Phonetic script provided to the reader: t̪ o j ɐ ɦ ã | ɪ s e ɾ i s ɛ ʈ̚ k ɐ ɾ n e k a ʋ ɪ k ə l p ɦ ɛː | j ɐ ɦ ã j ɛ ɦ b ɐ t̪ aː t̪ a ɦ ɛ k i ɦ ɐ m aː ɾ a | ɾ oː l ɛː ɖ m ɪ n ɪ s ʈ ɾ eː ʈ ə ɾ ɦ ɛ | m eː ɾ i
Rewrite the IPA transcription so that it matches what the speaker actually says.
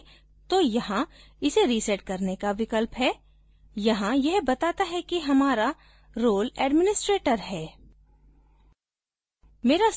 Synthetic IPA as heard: t̪ o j ɐ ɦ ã | ɪ s e ɾ i s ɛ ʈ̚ k ɐ ɾ n e k a ʋ ɪ k ə l p ɦ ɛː | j ɐ ɦ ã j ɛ ɦ b ɐ t̪ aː t̪ a ɦ ɛ k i ɦ ɐ m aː ɾ a | ɾ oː l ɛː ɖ m ɪ n ɪ s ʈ ɾ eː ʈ ə ɾ ɦ ɛː | m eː ɾ a